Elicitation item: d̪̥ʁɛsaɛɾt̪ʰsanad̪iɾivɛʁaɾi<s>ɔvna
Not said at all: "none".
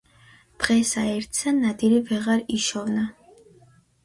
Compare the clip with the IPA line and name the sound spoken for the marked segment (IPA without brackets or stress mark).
ʃ